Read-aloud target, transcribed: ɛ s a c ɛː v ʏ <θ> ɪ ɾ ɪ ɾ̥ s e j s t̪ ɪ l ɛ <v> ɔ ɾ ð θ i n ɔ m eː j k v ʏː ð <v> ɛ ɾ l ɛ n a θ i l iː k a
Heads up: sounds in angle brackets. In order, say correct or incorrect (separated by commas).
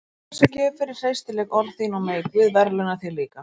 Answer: incorrect, incorrect, correct